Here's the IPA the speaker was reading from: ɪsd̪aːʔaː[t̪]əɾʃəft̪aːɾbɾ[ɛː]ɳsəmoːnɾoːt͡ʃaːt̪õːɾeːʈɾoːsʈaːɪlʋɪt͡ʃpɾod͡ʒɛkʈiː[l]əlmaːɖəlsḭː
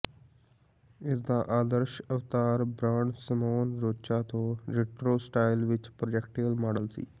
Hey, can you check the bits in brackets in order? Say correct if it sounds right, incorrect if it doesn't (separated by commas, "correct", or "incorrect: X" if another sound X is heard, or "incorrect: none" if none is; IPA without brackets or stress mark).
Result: incorrect: d̪, incorrect: aː, incorrect: none